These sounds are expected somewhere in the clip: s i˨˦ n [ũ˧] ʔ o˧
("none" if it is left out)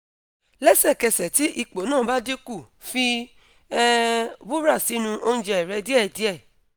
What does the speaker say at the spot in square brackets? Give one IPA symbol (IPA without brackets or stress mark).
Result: ũ˧